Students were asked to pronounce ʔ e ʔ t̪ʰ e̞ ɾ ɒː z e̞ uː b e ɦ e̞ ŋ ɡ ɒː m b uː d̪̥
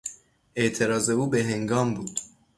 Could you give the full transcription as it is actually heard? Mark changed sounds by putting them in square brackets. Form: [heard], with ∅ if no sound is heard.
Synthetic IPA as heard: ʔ e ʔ t̪ʰ e̞ ɾ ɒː z e̞ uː b e ɦ e̞ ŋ ɡ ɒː m b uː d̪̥